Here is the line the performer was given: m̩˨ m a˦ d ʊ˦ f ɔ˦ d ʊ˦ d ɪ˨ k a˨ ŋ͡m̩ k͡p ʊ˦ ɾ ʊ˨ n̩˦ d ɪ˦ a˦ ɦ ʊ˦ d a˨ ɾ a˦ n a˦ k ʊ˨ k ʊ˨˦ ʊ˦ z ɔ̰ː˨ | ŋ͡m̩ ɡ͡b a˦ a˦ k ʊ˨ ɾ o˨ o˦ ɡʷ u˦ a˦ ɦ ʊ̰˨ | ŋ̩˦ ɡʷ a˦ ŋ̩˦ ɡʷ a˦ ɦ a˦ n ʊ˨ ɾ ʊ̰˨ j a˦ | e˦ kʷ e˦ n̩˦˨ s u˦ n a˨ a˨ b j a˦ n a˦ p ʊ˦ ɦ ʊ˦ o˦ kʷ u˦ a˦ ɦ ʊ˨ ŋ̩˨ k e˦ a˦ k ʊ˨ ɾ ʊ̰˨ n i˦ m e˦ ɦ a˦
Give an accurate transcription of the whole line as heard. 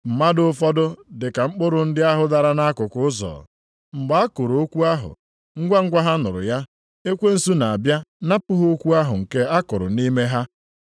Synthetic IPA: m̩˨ m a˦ d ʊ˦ f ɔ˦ d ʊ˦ d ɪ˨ k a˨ ŋ͡m̩ k͡p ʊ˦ ɾ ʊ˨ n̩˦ d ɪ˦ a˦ ɦ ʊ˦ d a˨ ɾ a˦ n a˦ k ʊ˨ k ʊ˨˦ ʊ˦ z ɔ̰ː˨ | ŋ͡m̩ ɡ͡b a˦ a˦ k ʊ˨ ɾ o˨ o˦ kʷ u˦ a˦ ɦ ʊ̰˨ | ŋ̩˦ ɡʷ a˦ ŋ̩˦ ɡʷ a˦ ɦ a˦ n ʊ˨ ɾ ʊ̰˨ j a˦ | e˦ kʷ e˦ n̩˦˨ s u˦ n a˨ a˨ b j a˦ n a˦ p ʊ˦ ɦ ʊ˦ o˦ kʷ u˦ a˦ ɦ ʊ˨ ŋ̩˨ k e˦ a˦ k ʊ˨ ɾ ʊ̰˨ n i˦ m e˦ ɦ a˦